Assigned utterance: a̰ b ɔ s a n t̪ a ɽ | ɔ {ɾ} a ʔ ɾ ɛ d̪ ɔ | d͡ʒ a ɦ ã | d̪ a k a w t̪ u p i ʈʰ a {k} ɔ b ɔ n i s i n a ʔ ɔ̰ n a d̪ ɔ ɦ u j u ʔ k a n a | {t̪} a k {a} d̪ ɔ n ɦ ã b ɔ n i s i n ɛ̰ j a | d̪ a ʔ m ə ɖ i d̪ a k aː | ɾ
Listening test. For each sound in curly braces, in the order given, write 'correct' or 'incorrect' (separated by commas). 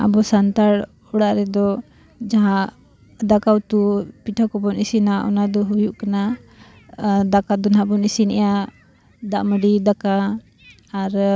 incorrect, correct, incorrect, correct